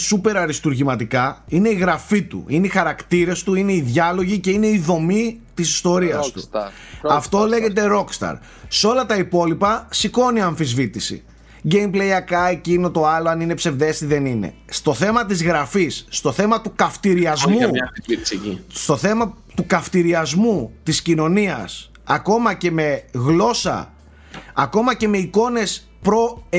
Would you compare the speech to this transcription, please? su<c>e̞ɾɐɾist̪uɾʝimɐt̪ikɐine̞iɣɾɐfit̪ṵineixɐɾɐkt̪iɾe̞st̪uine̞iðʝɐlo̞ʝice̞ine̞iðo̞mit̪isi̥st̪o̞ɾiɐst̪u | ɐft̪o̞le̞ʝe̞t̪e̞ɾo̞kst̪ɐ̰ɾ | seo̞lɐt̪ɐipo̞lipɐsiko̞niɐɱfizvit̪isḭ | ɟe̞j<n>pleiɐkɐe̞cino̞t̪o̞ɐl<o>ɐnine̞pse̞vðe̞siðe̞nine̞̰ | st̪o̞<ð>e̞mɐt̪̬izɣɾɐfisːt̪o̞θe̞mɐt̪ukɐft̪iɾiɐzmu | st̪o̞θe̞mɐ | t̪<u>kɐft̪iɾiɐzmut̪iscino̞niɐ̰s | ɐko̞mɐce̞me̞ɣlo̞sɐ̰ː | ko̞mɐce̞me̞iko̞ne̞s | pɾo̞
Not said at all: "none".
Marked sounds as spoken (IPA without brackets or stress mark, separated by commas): p, m, o, θ, u